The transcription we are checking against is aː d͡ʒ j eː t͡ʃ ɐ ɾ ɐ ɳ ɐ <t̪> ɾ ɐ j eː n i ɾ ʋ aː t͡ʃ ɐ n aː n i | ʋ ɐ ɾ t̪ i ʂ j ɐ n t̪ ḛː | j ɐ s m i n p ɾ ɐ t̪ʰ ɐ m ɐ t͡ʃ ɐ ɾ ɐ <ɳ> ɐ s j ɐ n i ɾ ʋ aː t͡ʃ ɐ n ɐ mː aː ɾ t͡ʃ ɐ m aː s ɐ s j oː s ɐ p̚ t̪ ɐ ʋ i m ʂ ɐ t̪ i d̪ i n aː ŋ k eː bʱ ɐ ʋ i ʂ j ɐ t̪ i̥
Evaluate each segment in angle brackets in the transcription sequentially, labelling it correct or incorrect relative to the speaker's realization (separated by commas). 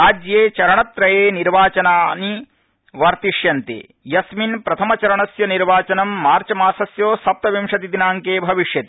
correct, correct